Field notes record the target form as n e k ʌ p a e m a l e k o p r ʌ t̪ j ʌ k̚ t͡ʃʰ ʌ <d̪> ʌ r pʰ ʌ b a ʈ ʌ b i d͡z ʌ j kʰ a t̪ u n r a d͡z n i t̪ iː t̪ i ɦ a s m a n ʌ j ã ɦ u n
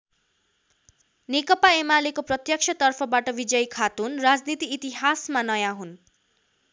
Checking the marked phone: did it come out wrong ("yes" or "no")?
yes